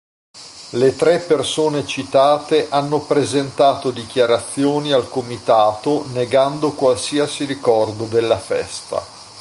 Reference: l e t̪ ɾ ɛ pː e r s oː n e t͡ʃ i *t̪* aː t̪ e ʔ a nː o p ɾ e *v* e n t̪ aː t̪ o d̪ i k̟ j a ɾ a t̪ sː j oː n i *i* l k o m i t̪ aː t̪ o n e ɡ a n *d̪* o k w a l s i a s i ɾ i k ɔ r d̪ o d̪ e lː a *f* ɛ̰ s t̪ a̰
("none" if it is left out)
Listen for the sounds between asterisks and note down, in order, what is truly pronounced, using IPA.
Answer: t̪, z, a, d̪, f

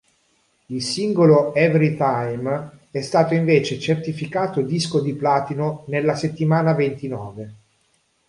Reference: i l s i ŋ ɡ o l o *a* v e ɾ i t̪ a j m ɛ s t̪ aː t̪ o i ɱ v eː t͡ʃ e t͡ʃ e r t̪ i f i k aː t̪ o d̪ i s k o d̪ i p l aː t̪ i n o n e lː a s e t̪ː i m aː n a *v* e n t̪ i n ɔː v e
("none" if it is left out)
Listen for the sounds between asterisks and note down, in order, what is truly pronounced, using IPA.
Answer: ɛ, v

